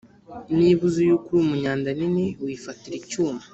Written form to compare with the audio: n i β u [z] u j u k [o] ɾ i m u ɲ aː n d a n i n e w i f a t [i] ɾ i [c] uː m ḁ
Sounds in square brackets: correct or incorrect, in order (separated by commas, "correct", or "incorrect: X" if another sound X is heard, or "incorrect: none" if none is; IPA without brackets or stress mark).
correct, incorrect: u, correct, correct